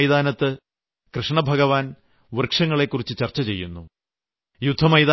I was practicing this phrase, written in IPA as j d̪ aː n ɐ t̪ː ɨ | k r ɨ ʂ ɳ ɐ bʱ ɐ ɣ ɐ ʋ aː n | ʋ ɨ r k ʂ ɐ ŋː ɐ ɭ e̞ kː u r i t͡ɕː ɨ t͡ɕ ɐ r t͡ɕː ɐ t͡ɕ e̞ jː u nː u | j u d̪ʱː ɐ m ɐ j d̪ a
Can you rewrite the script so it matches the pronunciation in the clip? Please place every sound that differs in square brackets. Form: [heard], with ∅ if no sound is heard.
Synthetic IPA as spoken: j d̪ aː n ɐ t̪ː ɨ | k r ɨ ʂ ɳ ɐ bʱ ɐ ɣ ɐ ʋ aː n | ʋ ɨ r k ʂ ɐ ŋː ɐ ɭ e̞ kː u r i t͡ɕː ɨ t͡ɕ ɐ r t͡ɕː ɐ t͡ɕ e̞ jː u nː u | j u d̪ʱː ɐ m ɐ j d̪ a